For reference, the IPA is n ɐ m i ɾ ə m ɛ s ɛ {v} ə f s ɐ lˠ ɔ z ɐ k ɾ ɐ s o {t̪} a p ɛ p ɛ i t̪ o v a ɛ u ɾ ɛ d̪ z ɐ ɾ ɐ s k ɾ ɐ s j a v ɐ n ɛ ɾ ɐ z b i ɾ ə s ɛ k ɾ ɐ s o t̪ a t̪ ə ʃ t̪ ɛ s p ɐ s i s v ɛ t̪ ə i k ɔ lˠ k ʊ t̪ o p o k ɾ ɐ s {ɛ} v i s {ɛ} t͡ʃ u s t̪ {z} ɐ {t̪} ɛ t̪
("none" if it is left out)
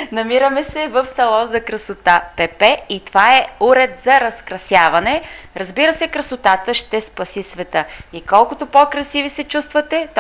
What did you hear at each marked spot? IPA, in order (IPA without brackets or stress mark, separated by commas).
v, t̪, i, ɛ, v, t̪